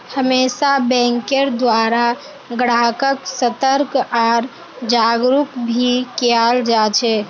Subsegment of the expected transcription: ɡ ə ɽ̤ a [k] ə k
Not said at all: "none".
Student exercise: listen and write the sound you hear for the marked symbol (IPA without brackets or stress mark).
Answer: k